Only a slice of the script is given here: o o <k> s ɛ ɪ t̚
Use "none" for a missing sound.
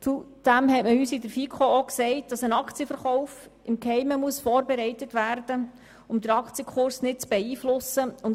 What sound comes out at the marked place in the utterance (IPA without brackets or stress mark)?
k